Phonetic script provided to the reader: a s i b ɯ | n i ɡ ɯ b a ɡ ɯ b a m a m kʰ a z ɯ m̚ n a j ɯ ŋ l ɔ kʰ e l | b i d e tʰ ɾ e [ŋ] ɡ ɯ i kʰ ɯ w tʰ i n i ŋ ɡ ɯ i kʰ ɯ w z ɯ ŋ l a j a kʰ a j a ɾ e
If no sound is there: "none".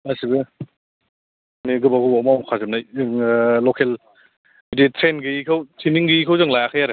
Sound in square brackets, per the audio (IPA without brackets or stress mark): n